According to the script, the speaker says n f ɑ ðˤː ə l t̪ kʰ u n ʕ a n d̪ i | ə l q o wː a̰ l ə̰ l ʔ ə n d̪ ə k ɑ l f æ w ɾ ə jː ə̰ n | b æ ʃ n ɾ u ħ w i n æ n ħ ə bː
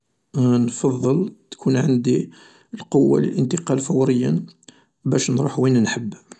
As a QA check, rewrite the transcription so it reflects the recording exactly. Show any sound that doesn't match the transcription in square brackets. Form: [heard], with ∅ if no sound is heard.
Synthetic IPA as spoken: n f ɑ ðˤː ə l t̪ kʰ u n ʕ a n d̪ i | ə l q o wː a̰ l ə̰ l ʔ ə n [t̪] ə [q] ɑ l f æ w ɾ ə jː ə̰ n | b æ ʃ n ɾ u ħ w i n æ n ħ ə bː